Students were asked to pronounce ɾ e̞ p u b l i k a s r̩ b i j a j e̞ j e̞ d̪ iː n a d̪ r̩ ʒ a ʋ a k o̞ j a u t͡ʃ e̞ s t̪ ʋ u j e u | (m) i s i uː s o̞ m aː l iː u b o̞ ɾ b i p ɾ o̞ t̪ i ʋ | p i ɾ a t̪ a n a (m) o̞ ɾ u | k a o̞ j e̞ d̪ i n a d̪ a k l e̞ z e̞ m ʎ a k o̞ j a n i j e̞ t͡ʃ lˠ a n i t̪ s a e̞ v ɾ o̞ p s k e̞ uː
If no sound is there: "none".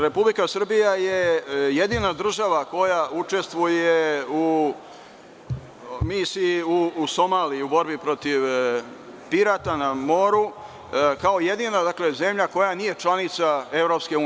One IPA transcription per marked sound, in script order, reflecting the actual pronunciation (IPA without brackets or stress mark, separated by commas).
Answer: m, m